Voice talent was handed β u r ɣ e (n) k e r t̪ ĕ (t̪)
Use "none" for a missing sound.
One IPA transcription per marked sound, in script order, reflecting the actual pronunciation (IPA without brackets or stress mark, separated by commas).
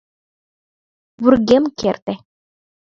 m, none